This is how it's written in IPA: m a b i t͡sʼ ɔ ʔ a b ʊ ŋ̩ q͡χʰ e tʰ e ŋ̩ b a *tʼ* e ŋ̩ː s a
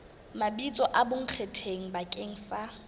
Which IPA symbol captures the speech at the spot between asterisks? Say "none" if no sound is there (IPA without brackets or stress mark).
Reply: kʼ